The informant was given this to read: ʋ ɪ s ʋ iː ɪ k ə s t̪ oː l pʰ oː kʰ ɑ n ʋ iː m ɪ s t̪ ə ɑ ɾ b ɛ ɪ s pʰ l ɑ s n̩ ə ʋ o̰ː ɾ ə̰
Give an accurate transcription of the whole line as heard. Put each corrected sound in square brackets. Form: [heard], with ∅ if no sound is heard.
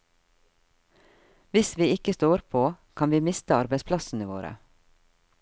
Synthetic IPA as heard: ʋ ɪ s ʋ iː ɪ k ə s t̪ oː [ɾ] pʰ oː kʰ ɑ n ʋ iː m ɪ s t̪ ə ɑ ɾ b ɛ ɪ s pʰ l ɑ s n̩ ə ʋ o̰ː ɾ ə̰